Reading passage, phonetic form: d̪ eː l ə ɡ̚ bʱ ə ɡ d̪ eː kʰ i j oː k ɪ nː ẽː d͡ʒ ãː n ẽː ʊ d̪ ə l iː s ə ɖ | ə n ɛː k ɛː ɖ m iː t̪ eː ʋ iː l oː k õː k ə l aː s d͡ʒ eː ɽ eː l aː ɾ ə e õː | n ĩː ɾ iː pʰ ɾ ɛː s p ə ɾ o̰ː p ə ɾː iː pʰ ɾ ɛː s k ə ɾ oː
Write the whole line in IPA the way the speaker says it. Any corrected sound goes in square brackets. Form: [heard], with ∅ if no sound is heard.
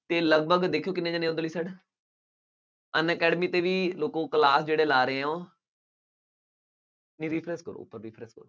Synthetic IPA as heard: [t̪] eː l ə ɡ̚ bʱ ə ɡ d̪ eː kʰ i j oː k ɪ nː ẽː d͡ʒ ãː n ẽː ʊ d̪ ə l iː s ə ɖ | ə n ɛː k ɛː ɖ m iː t̪ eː ʋ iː l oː k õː k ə l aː s d͡ʒ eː ɽ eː l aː ɾ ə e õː | n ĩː ɾ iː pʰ ɾ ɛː s [k] ə ɾ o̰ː p ə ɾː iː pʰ ɾ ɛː s k ə ɾ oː